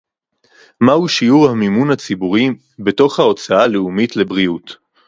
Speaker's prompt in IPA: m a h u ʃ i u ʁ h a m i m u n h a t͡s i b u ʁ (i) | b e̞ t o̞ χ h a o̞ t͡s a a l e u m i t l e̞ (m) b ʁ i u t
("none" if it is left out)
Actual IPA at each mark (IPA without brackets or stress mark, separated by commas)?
i, none